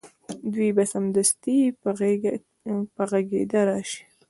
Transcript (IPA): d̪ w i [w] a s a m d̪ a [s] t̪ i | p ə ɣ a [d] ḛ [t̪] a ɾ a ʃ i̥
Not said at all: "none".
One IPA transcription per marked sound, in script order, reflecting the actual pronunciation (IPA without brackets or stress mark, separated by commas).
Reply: b, s, ɡ, d̪